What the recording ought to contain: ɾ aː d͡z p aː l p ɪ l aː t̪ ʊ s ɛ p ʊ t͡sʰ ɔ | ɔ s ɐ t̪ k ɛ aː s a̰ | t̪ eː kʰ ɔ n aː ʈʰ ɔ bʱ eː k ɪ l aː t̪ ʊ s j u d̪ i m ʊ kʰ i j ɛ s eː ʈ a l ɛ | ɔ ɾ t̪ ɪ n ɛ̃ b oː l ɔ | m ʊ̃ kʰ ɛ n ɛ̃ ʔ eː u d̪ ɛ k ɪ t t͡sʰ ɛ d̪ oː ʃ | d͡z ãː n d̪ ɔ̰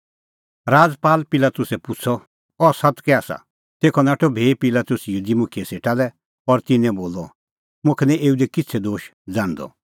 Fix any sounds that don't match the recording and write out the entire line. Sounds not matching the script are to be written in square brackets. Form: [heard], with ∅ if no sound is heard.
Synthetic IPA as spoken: ɾ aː d͡z p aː l p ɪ l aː t̪ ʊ s ɛ p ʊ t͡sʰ ɔ | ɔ s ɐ t̪ k ɛ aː s a̰ | t̪ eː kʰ ɔ n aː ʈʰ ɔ bʱ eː [p] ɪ l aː t̪ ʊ s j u d̪ i m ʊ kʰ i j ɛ s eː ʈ a l ɛ | ɔ ɾ t̪ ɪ n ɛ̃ b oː l ɔ | m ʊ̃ kʰ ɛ n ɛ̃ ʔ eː u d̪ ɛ k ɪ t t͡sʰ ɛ d̪ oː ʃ | d͡z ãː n d̪ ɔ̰